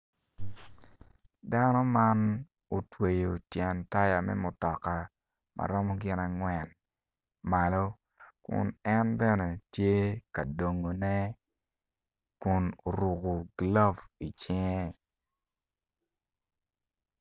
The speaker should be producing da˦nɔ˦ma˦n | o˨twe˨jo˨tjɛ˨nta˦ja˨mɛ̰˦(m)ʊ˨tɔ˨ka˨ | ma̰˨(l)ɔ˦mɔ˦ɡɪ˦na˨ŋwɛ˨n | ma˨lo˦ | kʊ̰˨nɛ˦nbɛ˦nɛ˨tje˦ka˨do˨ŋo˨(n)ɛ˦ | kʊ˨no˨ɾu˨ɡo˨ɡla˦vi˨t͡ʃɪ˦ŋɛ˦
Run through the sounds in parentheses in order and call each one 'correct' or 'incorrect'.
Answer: correct, incorrect, correct

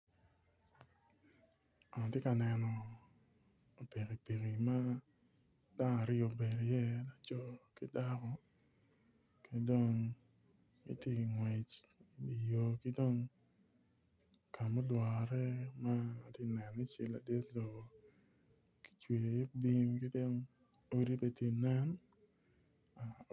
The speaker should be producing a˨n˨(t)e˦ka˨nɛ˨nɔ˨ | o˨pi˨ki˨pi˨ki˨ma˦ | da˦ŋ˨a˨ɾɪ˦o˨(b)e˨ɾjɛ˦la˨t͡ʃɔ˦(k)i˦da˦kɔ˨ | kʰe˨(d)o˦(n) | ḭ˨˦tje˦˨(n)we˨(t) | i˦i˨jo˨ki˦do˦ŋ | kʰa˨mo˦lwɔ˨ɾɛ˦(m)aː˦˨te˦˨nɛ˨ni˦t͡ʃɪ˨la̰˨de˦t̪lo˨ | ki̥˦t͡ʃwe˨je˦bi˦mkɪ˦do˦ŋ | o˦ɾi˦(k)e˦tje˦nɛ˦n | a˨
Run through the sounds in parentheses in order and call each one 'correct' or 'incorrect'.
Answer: correct, correct, correct, correct, incorrect, incorrect, incorrect, correct, incorrect

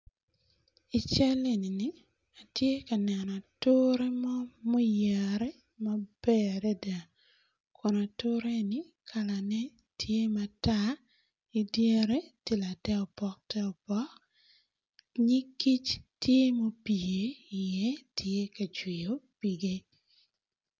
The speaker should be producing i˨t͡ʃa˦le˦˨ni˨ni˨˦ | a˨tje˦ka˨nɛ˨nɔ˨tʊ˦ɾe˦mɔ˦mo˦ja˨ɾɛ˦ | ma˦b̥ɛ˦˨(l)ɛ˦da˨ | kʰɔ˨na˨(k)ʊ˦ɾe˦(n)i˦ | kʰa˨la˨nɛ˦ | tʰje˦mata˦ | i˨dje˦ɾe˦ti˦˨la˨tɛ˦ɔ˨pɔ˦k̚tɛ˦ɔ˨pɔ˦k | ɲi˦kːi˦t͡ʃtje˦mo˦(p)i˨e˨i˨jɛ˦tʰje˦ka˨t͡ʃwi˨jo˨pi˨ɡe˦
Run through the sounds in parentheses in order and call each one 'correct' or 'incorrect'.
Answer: incorrect, incorrect, correct, correct

